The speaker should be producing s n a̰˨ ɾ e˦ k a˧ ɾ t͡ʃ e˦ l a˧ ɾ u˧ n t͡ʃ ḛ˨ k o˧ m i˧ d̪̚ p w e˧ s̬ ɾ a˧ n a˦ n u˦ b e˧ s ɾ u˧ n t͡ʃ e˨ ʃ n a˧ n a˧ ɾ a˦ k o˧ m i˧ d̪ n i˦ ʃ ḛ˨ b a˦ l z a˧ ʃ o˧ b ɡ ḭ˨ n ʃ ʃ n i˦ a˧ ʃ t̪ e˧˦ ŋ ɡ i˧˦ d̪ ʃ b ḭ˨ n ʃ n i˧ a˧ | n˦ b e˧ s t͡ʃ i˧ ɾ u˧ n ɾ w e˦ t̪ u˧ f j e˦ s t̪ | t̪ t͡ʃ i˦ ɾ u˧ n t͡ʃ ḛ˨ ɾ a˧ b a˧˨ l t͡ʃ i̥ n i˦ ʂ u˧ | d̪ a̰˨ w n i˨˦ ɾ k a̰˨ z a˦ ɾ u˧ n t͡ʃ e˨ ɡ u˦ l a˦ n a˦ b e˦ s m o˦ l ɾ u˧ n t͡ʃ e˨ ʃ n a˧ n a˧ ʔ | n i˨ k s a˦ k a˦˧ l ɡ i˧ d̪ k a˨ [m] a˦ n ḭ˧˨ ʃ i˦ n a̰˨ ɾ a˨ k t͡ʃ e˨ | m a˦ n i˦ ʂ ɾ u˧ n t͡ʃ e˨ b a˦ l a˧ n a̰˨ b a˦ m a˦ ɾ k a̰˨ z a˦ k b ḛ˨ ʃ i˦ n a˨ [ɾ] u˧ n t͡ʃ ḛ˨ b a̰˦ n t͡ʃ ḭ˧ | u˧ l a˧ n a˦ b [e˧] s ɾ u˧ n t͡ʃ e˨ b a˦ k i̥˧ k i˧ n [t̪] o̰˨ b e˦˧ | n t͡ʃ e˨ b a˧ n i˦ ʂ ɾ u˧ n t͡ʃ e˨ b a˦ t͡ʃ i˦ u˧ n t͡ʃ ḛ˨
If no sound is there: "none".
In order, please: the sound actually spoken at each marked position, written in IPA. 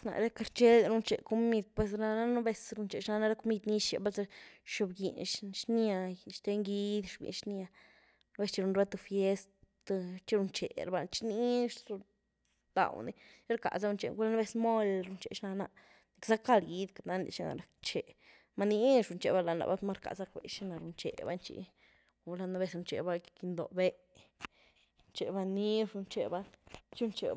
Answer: n, ɾ, e˧, d̪

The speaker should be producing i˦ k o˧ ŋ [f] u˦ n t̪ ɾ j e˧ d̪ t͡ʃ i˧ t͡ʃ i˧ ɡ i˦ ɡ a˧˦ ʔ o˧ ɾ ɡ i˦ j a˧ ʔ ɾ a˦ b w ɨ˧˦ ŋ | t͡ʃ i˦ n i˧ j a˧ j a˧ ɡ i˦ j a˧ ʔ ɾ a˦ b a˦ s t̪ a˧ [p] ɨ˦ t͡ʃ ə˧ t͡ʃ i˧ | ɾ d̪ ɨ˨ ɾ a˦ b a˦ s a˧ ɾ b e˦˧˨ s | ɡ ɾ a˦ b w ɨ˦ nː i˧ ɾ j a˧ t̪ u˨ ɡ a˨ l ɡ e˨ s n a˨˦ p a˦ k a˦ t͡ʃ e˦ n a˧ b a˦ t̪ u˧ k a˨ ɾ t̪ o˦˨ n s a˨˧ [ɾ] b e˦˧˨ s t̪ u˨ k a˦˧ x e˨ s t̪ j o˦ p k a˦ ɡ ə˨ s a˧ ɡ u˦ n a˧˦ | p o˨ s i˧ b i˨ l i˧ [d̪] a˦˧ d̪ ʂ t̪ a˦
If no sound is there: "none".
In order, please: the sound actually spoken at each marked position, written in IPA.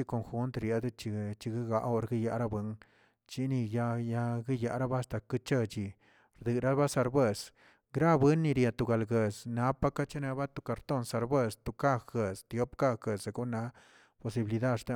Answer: x, k, ɾ, d̪

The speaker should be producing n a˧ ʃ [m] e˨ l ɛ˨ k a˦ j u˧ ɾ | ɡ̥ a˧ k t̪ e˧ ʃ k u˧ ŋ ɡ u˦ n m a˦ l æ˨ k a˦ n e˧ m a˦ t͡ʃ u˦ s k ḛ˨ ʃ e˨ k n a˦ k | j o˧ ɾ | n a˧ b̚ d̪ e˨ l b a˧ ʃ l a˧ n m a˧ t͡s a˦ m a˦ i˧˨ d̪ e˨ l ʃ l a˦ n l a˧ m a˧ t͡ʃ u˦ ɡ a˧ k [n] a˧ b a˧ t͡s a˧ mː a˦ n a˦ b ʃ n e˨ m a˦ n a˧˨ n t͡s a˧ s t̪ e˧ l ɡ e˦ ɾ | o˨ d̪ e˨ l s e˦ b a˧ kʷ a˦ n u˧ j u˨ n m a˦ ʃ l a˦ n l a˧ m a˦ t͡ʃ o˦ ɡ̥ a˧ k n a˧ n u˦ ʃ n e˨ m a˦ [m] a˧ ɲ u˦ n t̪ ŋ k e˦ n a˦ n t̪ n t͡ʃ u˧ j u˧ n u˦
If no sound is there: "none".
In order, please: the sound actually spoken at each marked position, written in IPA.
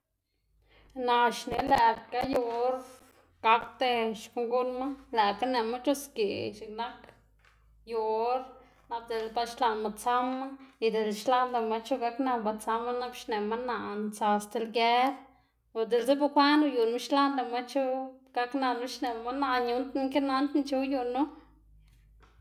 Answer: n, n, n

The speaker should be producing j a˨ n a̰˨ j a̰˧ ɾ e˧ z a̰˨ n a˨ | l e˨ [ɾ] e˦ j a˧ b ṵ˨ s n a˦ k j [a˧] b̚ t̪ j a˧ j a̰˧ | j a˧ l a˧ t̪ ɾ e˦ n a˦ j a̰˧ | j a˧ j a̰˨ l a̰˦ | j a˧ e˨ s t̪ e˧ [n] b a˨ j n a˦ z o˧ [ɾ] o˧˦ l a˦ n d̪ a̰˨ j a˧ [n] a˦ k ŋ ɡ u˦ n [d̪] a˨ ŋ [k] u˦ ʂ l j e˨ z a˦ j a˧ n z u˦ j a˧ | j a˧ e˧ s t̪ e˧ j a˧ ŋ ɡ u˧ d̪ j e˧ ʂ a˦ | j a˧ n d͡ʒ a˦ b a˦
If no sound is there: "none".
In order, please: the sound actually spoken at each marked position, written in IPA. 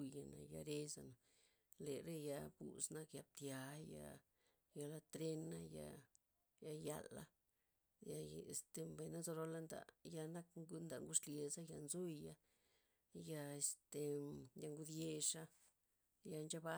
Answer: ɾ, a˧, m, ɾ, n, d̪, ɡ

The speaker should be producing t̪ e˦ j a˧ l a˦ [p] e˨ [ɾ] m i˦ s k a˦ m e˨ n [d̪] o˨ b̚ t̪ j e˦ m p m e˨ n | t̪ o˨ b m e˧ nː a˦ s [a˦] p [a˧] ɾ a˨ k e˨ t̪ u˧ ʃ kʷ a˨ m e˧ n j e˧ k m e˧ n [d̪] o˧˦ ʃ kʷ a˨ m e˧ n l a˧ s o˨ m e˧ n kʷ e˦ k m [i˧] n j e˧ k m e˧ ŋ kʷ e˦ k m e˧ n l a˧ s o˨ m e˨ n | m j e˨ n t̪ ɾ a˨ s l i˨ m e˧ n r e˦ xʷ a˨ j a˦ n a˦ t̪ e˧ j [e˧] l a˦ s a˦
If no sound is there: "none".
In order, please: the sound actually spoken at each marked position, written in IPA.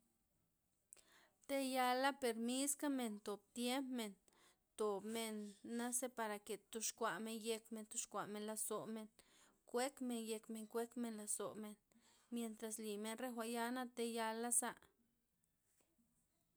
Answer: p, ɾ, t̪, e˦, a˧, t̪, e˧, a˧

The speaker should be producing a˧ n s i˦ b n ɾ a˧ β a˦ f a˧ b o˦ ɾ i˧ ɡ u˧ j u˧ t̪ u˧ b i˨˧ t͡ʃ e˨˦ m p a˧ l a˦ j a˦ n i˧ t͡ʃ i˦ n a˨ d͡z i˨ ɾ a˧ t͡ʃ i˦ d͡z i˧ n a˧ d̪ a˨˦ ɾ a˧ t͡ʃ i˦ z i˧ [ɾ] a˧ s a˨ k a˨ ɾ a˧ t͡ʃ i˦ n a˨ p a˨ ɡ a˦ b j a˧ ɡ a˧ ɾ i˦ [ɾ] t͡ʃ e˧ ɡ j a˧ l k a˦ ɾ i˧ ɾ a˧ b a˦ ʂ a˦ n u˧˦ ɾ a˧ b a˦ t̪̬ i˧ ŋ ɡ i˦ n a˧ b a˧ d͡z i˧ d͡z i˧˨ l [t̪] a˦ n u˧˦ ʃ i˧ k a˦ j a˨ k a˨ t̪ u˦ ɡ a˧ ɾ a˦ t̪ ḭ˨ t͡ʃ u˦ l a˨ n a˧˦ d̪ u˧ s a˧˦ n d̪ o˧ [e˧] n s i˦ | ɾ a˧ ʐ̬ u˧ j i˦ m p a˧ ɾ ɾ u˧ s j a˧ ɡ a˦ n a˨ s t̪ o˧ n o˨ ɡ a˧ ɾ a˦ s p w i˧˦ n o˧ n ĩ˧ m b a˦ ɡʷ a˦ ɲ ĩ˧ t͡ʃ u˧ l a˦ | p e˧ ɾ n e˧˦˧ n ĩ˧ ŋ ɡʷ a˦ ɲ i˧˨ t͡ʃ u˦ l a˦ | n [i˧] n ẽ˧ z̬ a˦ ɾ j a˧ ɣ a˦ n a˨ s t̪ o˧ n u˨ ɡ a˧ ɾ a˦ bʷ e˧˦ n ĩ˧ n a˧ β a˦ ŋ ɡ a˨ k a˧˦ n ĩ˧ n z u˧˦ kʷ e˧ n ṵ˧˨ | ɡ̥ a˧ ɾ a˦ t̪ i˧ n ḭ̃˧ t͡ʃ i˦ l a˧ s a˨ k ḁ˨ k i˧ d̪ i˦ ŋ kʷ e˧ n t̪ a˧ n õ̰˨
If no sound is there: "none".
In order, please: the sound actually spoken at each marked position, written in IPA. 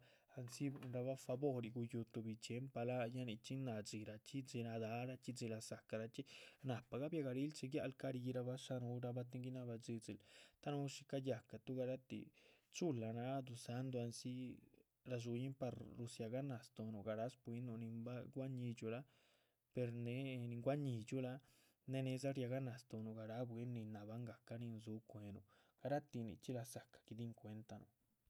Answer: l, l, t̪, a˧, e˧

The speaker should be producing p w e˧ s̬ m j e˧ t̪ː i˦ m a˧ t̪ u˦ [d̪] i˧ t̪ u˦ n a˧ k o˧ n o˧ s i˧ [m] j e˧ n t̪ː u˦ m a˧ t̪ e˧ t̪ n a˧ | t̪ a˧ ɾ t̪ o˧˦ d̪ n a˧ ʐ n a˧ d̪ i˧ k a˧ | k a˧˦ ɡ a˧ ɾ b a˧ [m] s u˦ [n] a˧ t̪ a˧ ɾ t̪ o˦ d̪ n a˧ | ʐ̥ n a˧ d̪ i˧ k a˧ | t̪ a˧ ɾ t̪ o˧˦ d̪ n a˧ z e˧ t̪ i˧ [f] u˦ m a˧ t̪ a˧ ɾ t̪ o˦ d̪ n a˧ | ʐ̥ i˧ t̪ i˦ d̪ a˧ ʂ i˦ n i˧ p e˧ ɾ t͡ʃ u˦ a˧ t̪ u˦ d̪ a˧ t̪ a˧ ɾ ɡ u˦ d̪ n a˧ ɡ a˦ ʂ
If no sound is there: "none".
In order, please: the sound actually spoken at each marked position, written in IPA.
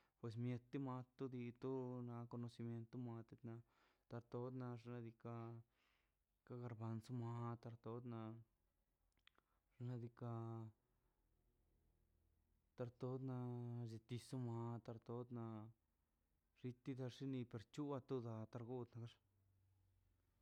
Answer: d̪, m, n, m, s

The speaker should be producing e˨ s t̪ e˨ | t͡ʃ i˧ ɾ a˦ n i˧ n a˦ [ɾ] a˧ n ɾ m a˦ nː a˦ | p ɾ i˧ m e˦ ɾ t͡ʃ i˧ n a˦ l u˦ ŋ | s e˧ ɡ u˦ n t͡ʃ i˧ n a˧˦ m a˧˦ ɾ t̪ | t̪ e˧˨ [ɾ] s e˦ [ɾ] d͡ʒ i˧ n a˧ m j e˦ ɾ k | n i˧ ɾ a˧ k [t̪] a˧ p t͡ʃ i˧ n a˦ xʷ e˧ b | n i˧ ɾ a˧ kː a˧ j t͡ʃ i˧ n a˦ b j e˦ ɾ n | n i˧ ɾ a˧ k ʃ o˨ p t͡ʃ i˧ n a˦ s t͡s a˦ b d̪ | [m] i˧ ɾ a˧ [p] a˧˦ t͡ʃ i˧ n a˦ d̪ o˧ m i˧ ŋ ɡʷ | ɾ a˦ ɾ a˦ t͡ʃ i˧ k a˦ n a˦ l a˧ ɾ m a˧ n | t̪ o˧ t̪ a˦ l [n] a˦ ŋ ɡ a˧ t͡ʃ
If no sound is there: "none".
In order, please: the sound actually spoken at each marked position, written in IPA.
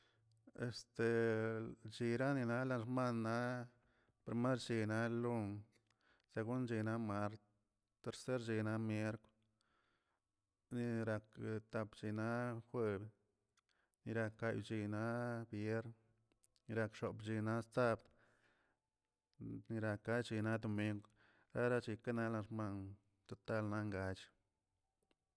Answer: l, ɾ, ɾ, t̪, n, k, n

